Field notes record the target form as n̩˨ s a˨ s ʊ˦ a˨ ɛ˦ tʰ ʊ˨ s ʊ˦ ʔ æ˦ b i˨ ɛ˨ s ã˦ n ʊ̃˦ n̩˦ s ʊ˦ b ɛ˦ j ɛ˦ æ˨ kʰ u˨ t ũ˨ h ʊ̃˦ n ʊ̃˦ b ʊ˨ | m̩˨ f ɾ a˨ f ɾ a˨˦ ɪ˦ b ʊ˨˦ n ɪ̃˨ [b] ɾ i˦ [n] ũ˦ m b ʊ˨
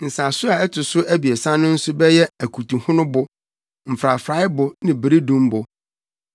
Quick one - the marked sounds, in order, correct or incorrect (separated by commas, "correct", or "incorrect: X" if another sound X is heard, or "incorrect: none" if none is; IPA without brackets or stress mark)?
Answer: correct, incorrect: d